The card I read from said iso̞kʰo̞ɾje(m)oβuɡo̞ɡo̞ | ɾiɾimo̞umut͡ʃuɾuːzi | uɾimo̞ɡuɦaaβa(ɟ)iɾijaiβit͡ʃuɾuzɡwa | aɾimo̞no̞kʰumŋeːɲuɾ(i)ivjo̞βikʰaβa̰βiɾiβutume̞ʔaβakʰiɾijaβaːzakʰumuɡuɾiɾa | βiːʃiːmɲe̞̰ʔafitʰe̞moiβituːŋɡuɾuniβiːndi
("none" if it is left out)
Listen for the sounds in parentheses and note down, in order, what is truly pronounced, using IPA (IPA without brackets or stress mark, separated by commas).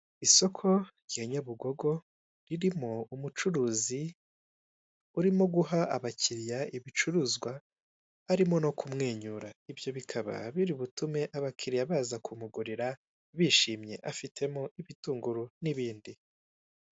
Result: ɲ, c, a